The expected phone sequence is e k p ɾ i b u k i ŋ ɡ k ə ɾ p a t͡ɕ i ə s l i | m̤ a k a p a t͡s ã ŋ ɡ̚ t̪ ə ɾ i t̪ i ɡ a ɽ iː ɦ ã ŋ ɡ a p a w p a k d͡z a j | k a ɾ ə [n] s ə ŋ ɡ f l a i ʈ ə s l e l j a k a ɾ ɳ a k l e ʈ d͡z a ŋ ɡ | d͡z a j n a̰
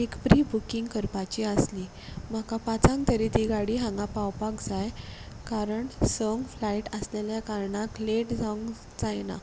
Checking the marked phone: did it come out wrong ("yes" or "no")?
yes